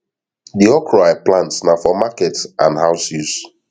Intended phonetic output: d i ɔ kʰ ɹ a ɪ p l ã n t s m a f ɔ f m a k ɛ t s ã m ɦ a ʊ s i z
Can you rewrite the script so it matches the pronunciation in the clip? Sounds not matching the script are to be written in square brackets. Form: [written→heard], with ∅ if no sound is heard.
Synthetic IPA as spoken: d i ɔ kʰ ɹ a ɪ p l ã n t s [m→n] a f ɔ [f→∅] m a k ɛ t s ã [m→n] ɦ a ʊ s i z

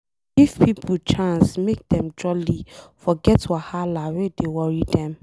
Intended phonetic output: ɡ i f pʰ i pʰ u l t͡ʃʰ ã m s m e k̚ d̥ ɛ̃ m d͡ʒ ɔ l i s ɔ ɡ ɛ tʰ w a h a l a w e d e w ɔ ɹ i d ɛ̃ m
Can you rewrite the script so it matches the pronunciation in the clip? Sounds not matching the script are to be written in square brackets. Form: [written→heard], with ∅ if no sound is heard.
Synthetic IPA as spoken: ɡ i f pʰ i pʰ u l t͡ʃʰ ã [m→n] s m e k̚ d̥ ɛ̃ m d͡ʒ ɔ l i [s→f] ɔ ɡ ɛ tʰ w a h a l a w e d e w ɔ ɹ i d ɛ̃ m

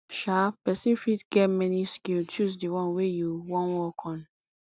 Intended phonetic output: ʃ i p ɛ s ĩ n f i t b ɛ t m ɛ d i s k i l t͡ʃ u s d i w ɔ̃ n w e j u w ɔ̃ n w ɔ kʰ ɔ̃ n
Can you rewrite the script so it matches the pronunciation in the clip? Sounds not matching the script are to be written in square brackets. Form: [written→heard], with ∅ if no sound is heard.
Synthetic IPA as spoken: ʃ [i→a] p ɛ s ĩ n f i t [b→ɡ] ɛ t m ɛ [d→n] i s k i l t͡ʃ u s d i w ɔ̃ n w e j u w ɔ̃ n w ɔ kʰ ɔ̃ n

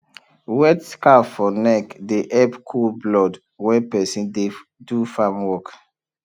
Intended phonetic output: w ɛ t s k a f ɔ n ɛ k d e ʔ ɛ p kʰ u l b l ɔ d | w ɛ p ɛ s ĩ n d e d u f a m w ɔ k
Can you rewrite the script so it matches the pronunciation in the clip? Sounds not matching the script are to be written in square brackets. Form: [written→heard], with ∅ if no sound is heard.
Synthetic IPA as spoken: w ɛ t s k a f ɔ n ɛ k d e ʔ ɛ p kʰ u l b l ɔ d | w ɛ p ɛ s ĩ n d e d u f a m w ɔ k

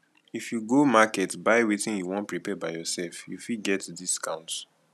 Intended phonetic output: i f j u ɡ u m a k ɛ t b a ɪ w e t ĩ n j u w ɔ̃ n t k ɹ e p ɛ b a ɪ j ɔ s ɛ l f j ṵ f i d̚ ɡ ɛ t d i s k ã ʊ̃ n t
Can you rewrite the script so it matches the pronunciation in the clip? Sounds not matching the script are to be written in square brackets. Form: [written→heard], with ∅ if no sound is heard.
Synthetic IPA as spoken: i f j u ɡ [u→o] m a k ɛ t b a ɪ w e t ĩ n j u w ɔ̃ n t [k→p] ɹ [e→i] p ɛ b a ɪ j ɔ s ɛ l f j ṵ f i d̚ ɡ ɛ t d i s k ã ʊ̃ n t

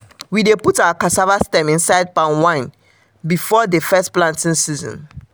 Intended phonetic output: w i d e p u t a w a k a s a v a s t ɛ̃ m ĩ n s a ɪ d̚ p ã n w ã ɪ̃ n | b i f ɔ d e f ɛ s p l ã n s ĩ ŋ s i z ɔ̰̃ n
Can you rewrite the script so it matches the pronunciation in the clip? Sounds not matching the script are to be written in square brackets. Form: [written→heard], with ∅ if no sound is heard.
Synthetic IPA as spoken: w i d e p u t a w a k a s a v a s t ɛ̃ m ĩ n s a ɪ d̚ p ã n w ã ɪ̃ n | b i f ɔ d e f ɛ s p l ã n [s→t] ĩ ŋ s i z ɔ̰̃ n

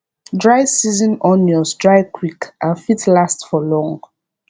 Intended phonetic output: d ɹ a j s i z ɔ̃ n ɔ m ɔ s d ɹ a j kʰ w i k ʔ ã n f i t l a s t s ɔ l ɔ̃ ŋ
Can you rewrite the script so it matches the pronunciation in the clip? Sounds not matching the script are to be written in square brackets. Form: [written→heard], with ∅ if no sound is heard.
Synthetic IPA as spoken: d ɹ a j s i z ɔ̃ n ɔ [m→n] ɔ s d ɹ a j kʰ w i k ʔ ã n f i t l a s t [s→f] ɔ l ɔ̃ ŋ

